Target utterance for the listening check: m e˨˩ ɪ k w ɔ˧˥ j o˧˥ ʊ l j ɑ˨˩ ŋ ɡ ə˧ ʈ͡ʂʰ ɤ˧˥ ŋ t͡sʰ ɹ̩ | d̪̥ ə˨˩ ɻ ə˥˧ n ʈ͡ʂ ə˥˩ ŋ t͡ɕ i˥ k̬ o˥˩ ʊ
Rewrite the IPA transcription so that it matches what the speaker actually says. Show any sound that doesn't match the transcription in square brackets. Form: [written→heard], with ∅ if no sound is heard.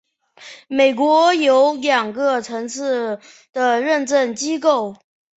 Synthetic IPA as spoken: m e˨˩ ɪ k w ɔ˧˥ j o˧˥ ʊ l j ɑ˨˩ ŋ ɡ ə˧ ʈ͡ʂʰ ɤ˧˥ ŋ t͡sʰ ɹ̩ | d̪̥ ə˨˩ ɻ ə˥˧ n ʈ͡ʂ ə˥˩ [ŋ→n] t͡ɕ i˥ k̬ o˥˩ ʊ